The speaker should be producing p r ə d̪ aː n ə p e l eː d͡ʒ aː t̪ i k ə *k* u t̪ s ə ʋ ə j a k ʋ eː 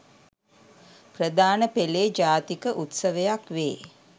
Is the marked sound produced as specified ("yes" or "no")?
no